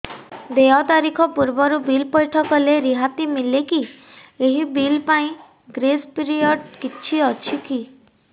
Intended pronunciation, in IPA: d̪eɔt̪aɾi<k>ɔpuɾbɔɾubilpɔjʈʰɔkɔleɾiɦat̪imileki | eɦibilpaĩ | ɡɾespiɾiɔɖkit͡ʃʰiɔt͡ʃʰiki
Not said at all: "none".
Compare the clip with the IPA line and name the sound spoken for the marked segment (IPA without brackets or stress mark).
kʰ